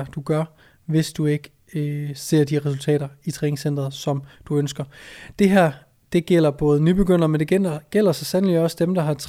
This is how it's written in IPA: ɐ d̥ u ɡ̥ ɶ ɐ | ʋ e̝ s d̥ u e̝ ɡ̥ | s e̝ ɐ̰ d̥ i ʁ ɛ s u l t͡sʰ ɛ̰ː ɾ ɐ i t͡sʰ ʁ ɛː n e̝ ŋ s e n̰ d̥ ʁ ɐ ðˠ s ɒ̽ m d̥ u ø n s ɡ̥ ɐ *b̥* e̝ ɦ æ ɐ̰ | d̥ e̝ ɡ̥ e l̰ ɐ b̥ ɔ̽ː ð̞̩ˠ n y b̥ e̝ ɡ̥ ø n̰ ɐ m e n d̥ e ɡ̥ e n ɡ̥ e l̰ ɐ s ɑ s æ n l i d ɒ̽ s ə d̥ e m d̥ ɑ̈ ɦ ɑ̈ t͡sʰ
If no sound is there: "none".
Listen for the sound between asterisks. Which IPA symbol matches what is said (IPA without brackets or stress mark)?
d̥